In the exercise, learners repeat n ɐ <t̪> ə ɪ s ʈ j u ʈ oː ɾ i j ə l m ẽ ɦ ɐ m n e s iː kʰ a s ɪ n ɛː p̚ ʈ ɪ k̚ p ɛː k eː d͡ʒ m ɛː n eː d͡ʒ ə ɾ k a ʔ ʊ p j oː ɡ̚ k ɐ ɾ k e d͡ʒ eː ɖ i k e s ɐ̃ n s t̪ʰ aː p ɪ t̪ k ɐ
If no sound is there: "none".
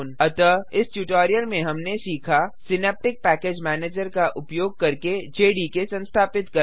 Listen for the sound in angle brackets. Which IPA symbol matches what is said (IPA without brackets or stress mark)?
t̪